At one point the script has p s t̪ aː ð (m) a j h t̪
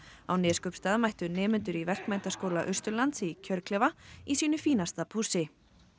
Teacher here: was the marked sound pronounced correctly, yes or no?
yes